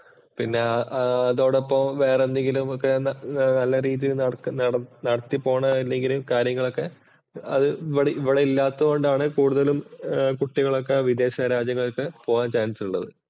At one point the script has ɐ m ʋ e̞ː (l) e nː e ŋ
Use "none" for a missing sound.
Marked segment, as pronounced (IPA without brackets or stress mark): r